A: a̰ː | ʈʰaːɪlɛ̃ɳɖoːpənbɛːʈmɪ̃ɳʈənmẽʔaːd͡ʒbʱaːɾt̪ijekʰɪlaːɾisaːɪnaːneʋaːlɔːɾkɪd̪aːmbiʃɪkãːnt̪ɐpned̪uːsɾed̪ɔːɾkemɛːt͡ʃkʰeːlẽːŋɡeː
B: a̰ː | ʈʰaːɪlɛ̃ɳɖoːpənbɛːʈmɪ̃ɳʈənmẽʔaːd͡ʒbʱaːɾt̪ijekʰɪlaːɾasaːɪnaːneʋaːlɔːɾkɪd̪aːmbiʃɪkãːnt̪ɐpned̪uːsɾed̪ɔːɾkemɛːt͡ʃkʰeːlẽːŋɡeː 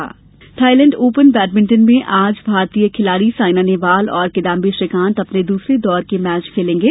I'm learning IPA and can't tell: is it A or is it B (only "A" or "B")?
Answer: A